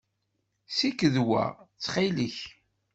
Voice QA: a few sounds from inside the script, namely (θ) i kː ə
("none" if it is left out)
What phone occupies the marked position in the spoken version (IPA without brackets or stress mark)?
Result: s